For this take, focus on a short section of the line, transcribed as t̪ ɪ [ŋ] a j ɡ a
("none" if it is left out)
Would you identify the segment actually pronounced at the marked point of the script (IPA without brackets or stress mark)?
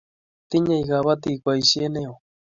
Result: ɲ